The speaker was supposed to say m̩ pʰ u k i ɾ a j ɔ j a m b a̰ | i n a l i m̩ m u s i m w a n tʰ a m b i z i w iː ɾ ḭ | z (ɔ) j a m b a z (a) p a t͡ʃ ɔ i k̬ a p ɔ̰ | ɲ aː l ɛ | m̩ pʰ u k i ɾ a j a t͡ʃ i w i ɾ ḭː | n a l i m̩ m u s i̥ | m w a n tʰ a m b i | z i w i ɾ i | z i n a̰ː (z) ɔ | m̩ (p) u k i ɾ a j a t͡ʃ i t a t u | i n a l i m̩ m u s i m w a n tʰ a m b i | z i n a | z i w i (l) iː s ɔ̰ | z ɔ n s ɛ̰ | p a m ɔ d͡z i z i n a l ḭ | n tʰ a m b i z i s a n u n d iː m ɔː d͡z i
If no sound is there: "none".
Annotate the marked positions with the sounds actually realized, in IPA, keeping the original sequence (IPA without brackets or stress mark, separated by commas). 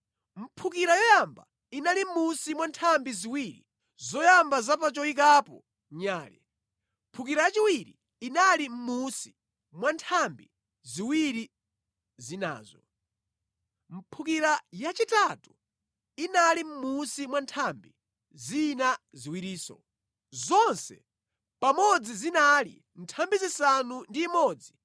ɔ, a, z, pʰ, ɾ